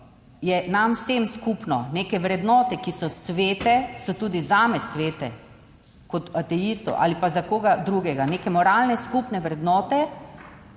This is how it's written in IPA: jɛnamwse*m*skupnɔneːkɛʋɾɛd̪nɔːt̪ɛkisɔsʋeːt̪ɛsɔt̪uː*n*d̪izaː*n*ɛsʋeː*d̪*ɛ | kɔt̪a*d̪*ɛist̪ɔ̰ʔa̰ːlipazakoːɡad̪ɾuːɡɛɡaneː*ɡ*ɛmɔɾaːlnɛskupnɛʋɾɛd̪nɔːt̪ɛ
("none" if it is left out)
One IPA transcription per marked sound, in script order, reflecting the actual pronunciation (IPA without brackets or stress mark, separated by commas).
m, none, m, t̪, t̪, k